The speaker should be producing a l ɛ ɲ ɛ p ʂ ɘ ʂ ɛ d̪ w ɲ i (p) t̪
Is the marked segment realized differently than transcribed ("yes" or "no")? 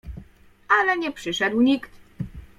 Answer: yes